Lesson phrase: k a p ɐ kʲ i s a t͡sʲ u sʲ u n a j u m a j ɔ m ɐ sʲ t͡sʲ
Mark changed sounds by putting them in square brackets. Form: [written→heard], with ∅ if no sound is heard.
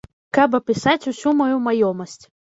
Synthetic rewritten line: k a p ɐ [kʲ→pʲ] i s a t͡sʲ u sʲ u [n→m] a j u m a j ɔ m ɐ sʲ t͡sʲ

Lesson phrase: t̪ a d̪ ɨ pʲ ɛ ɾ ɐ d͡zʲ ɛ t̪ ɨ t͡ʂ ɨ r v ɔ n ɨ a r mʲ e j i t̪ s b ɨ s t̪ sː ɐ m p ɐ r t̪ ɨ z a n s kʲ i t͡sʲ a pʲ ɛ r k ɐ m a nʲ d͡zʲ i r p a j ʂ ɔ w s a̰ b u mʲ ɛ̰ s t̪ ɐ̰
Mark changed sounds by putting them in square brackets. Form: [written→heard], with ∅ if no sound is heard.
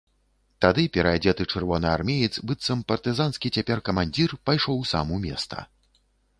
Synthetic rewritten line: t̪ a d̪ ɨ pʲ ɛ ɾ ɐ d͡zʲ ɛ t̪ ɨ t͡ʂ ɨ r v ɔ n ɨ a r mʲ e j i t̪ s b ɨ [s→∅] t̪ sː ɐ m p ɐ r t̪ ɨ z a n s kʲ i t͡sʲ a pʲ ɛ r k ɐ m a nʲ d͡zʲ i r p a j ʂ ɔ w s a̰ [b→m] u mʲ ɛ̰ s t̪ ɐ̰

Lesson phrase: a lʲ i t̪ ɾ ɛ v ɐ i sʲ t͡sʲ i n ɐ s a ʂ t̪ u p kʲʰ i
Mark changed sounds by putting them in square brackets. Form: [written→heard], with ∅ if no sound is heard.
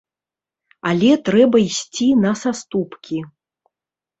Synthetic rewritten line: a lʲ [i→ɛ] t̪ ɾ ɛ [v→b] ɐ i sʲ t͡sʲ i n ɐ s a [ʂ→s] t̪ u p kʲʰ i

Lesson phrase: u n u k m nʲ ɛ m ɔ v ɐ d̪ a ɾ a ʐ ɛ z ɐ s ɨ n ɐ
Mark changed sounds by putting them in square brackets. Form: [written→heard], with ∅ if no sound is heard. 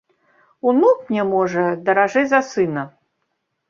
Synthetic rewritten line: u n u k m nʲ ɛ m ɔ [v→ʐ] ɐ d̪ [a→ɐ] ɾ a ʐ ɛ z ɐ s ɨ n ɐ

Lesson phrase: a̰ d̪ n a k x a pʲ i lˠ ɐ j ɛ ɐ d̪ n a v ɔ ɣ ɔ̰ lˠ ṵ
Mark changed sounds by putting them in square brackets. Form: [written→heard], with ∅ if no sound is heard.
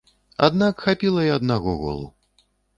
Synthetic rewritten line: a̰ d̪ n a k x a pʲ i lˠ ɐ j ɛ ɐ d̪ n a [v→ɣ] ɔ ɣ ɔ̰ lˠ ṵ

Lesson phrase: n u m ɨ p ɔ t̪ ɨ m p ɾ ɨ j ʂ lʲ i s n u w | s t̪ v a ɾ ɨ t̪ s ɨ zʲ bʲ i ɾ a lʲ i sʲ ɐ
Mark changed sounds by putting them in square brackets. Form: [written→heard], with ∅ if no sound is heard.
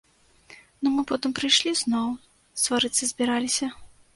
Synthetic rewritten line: n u m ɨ p ɔ t̪ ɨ m p ɾ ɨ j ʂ lʲ i [s→z] n [u→ɔ] w | s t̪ v a ɾ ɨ t̪ s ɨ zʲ bʲ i ɾ a lʲ i sʲ ɐ

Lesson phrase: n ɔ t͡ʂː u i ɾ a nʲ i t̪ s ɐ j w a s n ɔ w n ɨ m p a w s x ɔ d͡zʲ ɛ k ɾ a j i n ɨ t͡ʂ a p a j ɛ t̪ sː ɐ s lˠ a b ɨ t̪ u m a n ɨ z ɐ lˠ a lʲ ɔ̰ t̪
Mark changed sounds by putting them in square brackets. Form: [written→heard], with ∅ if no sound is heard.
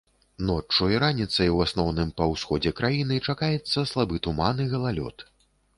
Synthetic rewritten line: n ɔ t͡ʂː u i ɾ a nʲ i t̪ s ɐ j w a s n ɔ w n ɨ m p [a→ɐ] w s x ɔ d͡zʲ ɛ k ɾ a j i n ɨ t͡ʂ a [p→k] a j ɛ t̪ sː ɐ s lˠ a b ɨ t̪ u m a n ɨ [z→ɣ] ɐ lˠ a lʲ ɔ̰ t̪

